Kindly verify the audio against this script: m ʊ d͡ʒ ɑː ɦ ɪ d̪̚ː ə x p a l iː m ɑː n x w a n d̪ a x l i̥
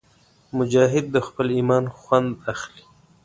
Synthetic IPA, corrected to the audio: m ʊ d͡ʒ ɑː ɦ ɪ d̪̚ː ə x p ə l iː m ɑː n x w a n d̪ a x l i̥

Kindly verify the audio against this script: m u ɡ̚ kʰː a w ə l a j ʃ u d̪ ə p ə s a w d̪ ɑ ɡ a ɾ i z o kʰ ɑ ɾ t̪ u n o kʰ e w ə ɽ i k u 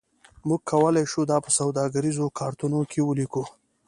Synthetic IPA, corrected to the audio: m u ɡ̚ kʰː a w ə l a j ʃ u d̪ ɑ p ə s a w d̪ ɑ ɡ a ɾ i z o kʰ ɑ ɾ t̪ u n o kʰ e w ə l i k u

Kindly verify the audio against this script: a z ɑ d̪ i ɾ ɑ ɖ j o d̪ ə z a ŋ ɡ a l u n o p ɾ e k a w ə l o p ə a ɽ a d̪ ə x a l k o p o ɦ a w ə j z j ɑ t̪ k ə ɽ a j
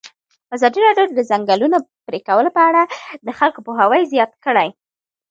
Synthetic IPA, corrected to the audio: a z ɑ d̪ i ɾ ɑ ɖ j o d̪ ə z a ŋ ɡ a l u n o p ɾ e k a w ə l o p ə a ɽ a d̪ ə x a l k o p o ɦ a w ə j z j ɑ t̪ k ə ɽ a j

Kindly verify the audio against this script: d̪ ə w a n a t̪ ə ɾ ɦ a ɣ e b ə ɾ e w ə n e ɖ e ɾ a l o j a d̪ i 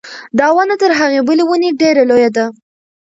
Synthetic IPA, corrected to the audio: d̪ ɑ w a n a t̪ ə ɾ ɦ a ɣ e b ə l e w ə n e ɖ e ɾ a l o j a d̪ a

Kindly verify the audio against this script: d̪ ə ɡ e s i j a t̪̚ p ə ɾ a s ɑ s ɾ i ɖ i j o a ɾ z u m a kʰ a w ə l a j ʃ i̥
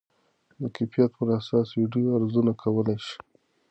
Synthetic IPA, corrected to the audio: d̪ ə k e f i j a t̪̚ p ə ɾ a s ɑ s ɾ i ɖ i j o a ɾ z u n a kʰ a w ə l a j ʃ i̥

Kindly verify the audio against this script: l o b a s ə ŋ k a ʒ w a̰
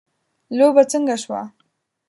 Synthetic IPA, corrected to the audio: l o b a t͡s ə ŋ ɡ a ʃ w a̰

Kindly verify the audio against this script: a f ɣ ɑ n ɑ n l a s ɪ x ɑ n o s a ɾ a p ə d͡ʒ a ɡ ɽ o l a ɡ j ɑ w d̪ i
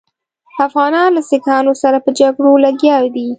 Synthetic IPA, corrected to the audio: a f ɣ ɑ n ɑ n l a s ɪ k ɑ n o s a ɾ a p ə d͡ʒ a ɡ ɽ o l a ɡ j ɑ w d̪ i

